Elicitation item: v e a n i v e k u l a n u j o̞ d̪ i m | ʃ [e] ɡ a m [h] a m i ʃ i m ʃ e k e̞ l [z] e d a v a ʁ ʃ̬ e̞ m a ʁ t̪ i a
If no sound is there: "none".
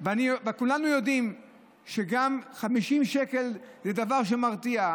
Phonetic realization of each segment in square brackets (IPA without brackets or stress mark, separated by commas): e, χ, z